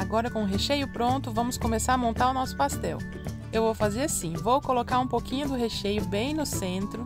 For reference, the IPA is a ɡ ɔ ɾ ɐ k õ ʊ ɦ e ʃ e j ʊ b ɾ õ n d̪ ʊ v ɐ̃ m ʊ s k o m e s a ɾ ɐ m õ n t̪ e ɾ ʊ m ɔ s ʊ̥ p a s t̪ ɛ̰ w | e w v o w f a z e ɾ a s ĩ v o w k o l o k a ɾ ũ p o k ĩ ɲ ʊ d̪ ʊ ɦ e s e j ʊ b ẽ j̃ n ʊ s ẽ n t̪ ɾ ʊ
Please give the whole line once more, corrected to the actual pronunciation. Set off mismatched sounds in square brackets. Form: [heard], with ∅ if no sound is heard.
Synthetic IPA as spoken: a ɡ ɔ ɾ ɐ k õ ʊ ɦ e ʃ e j ʊ [p] ɾ õ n [t̪] ʊ v ɐ̃ m ʊ s k o m e s a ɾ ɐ m õ n t̪ [a] ɾ ʊ [n] ɔ s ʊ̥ p a s t̪ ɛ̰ w | e w v o w f a z e ɾ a s ĩ v o w k o l o k a ɾ ũ p o k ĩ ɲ ʊ d̪ ʊ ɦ e [ʃ] e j ʊ b ẽ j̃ n ʊ s ẽ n t̪ ɾ ʊ